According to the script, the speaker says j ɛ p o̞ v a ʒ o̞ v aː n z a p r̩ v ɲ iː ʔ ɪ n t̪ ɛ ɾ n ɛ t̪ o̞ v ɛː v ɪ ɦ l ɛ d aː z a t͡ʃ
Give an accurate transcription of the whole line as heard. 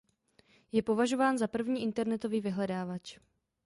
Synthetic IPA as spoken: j ɛ p o̞ v a ʒ o̞ v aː n z a p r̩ v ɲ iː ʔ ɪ n t̪ ɛ ɾ n ɛ t̪ o̞ v iː v ɪ ɦ l ɛ d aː v a t͡ʃ